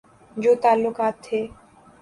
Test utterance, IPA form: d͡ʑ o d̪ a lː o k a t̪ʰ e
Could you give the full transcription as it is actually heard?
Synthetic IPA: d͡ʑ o t̪ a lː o k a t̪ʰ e